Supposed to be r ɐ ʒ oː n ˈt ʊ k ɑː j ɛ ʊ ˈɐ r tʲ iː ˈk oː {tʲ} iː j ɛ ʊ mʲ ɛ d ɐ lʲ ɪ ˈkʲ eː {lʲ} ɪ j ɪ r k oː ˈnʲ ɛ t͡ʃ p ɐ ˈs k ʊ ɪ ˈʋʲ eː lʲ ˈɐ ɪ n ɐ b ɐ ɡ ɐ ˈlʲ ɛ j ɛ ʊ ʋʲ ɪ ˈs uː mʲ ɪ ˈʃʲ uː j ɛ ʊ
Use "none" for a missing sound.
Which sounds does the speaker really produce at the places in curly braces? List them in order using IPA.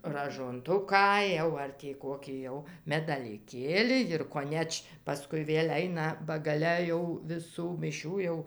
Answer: kʲ, lʲ

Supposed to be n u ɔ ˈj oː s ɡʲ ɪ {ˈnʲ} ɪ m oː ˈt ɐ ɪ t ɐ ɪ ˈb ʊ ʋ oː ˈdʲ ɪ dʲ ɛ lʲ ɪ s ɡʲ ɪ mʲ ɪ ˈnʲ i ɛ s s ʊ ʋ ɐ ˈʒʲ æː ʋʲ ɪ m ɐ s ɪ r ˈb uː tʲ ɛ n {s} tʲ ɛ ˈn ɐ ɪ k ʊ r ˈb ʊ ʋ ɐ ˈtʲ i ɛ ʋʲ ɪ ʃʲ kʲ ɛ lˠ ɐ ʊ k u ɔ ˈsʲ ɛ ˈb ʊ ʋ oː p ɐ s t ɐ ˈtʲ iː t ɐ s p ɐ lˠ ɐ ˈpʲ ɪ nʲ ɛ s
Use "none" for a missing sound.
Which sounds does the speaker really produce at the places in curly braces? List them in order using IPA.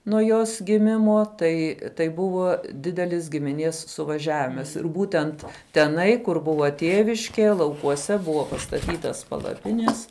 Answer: mʲ, t

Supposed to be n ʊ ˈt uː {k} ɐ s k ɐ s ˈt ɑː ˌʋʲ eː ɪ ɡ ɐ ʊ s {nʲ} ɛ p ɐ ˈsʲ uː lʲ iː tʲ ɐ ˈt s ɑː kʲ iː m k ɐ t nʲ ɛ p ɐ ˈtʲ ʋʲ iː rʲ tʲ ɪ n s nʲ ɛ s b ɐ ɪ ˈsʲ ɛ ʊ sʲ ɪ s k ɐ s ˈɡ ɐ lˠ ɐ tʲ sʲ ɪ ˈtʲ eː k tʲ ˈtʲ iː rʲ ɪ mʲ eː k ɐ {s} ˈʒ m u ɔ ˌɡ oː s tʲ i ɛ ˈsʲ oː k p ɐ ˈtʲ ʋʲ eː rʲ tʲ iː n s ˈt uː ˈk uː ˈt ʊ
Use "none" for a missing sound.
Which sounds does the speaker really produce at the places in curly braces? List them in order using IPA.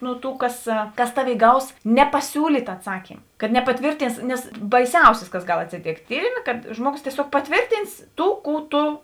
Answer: k, nʲ, t

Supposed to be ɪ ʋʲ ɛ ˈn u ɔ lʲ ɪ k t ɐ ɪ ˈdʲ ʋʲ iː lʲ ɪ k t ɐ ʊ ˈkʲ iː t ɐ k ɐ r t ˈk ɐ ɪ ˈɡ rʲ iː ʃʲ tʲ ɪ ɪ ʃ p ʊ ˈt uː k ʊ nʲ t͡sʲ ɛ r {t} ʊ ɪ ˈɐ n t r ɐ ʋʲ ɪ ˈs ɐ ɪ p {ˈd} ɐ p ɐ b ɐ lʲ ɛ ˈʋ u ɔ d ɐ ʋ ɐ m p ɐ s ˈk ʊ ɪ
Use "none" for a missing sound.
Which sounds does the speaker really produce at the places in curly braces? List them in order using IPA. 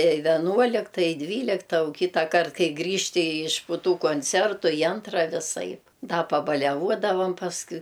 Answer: t, d

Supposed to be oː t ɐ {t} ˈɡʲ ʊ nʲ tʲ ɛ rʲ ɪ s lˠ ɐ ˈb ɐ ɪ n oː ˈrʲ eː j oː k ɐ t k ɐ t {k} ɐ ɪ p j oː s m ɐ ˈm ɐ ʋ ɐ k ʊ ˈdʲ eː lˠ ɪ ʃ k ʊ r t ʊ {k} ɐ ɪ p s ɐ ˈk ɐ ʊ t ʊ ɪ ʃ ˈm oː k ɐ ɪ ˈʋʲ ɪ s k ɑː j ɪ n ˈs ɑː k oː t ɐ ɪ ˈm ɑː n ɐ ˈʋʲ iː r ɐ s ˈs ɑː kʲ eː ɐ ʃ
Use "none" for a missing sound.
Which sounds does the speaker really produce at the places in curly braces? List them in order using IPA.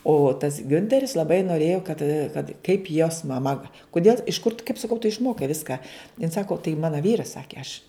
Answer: s, k, k

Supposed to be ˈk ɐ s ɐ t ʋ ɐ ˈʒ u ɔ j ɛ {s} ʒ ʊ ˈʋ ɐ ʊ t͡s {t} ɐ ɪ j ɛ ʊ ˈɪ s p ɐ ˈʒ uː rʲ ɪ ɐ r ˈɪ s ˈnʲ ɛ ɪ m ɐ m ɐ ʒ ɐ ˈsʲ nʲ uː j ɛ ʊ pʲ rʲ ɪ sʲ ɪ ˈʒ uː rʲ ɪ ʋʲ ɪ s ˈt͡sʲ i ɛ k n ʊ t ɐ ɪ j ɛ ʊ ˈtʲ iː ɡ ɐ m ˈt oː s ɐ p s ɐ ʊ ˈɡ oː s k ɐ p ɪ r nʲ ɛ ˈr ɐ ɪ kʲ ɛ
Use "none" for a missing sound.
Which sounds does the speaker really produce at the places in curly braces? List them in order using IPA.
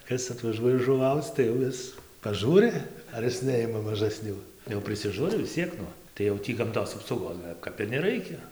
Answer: none, t

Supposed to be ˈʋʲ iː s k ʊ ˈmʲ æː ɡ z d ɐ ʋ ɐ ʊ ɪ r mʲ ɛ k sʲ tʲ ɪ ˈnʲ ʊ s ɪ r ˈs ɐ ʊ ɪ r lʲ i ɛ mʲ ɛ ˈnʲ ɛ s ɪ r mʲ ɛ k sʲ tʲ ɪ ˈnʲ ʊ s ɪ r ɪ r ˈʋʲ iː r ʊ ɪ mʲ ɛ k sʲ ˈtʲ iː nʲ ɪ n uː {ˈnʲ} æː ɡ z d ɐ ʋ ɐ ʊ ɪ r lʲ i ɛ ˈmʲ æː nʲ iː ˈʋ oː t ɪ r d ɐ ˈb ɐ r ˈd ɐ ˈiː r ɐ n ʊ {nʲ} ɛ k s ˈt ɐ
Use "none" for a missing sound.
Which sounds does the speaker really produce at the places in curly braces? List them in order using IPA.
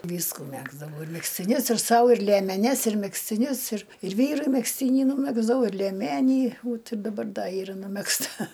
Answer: mʲ, mʲ

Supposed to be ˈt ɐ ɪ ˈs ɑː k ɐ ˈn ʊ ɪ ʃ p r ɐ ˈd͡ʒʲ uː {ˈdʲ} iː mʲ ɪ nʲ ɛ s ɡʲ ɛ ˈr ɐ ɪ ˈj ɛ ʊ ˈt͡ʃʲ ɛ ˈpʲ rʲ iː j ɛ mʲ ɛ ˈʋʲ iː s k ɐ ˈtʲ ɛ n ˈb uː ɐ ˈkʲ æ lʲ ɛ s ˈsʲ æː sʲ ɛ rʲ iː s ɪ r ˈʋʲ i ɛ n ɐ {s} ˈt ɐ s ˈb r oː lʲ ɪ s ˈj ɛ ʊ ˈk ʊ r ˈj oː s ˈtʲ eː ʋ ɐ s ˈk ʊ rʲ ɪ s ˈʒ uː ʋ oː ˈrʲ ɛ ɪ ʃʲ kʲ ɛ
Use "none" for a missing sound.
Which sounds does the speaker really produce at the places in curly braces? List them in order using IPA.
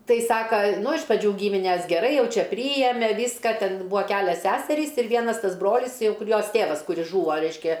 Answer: ɡʲ, s

